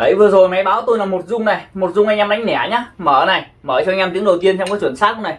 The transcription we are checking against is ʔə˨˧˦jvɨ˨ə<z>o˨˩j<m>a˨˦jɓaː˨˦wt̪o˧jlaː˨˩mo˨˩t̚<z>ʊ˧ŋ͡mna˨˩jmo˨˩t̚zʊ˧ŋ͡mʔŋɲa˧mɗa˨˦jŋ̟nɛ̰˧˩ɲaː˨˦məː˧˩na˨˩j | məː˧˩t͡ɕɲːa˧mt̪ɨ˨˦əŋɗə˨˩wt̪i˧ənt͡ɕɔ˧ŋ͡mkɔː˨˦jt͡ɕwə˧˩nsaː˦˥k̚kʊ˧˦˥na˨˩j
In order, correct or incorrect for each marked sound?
correct, correct, correct

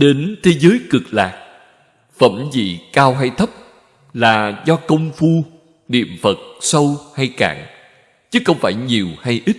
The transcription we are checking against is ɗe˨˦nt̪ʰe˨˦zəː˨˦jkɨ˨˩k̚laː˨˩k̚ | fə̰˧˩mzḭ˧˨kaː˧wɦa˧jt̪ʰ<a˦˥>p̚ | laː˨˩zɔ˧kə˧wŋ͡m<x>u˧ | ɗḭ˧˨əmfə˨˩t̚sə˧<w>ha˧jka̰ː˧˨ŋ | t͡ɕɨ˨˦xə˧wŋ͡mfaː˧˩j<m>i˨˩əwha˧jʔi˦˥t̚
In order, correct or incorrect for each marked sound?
incorrect, incorrect, correct, incorrect

